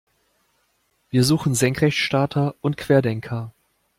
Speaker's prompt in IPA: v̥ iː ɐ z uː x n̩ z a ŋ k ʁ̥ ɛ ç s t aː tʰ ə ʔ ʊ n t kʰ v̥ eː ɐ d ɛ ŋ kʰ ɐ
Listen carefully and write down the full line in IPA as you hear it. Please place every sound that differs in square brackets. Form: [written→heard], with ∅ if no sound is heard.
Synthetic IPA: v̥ iː ɐ z uː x n̩ z [a→ɛ] ŋ k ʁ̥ ɛ ç [s→ʃ] t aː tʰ [ə→ɐ] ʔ ʊ n t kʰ v̥ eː ɐ d ɛ ŋ kʰ ɐ

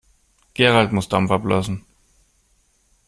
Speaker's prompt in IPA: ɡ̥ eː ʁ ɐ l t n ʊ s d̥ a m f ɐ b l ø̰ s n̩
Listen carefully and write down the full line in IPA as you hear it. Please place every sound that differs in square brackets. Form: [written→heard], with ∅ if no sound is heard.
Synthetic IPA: ɡ̥ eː ʁ [ɐ→a] l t [n→m] ʊ s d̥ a m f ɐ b l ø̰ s n̩

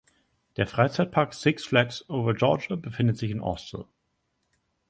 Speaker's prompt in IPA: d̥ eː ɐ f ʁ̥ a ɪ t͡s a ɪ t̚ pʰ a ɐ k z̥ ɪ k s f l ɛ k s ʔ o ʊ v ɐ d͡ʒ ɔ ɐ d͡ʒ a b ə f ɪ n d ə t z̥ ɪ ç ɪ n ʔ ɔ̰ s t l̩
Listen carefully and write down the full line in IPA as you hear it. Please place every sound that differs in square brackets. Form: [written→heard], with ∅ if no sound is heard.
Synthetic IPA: d̥ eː ɐ f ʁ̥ a ɪ t͡s a ɪ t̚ pʰ a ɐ k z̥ ɪ k s f l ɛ k s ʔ o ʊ v ɐ d͡ʒ ɔ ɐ d͡ʒ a b ə f ɪ n d ə t z̥ ɪ ç ɪ n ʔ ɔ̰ s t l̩

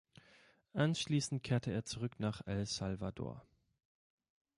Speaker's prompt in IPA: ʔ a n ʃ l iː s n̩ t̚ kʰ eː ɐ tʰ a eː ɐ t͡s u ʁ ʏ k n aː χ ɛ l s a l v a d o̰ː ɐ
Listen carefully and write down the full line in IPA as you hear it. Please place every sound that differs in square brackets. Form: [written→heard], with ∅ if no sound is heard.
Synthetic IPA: ʔ a n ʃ l iː s n̩ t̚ kʰ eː ɐ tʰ [a→ə] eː ɐ t͡s u ʁ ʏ k n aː χ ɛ l s a l v a d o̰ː ɐ

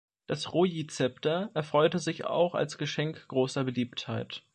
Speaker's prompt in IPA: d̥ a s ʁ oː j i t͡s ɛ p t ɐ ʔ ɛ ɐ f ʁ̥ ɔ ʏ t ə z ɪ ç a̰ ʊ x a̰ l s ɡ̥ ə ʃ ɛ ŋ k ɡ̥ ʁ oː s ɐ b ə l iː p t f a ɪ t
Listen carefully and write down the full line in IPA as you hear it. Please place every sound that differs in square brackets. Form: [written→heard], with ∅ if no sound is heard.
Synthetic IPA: d̥ a s ʁ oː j i t͡s ɛ p t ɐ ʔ ɛ ɐ f ʁ̥ ɔ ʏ t ə z ɪ ç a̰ ʊ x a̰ l s ɡ̥ ə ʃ ɛ ŋ k ɡ̥ ʁ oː s ɐ b ə l iː p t [f→h] a ɪ t

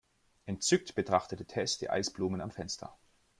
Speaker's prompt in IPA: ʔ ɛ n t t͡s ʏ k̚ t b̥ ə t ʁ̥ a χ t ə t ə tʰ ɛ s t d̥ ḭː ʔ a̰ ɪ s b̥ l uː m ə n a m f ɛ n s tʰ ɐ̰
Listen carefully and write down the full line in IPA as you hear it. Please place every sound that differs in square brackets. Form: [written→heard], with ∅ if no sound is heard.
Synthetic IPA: ʔ ɛ n t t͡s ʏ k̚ t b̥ ə t ʁ̥ a χ t ə t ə tʰ ɛ s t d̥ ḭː ʔ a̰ ɪ s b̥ l uː m ə n a m f ɛ n s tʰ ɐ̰

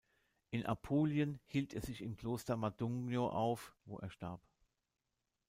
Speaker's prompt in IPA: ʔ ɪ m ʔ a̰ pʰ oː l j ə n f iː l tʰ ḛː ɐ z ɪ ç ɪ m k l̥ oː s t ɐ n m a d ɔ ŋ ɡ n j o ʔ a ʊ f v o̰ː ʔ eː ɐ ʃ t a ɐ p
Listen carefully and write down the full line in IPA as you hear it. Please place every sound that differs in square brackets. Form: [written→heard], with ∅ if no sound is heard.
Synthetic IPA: ʔ ɪ [m→n] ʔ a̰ pʰ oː l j ə n [f→h] iː l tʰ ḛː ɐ z ɪ ç ɪ m k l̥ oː s t ɐ [n→∅] m a d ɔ ŋ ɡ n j o ʔ a ʊ f v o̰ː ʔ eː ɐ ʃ t a ɐ p

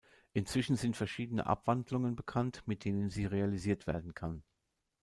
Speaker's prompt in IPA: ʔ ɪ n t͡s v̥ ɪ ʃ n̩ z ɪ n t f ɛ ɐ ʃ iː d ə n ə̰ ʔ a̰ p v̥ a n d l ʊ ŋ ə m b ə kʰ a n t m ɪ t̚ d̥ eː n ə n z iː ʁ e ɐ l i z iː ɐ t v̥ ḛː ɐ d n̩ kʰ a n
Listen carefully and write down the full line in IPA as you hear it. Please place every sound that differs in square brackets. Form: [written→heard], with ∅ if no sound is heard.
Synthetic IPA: ʔ ɪ n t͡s v̥ ɪ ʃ n̩ z ɪ n t f ɛ ɐ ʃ iː d ə n ə̰ ʔ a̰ p v̥ a n d l ʊ ŋ ə [m→n] b ə kʰ a n t m ɪ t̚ d̥ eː n ə n z iː ʁ e [ɐ→a] l i z iː ɐ t v̥ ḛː ɐ d n̩ kʰ a n

